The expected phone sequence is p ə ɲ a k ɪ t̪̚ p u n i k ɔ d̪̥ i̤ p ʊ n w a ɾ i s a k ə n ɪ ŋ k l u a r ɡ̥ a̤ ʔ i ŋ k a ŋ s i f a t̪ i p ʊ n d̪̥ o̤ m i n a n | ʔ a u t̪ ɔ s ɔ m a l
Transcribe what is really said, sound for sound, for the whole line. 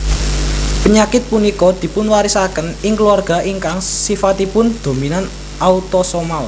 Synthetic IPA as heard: p ə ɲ a k ɪ t̪̚ p u n i k ɔ d̪̥ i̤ p ʊ n w a ɾ i s a k ə n ɪ ŋ k l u a r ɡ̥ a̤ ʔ i ŋ k a ŋ s i f a t̪ i p ʊ n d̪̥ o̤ m i n a n | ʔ a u t̪ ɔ s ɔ m a l